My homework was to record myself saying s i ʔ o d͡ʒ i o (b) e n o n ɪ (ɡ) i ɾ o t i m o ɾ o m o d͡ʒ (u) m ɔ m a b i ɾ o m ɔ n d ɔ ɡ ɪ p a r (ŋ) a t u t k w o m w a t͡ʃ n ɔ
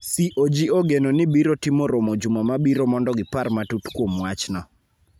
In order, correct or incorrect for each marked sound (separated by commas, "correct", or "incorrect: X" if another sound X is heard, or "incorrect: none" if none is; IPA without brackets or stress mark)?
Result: incorrect: ɡ, incorrect: b, correct, incorrect: m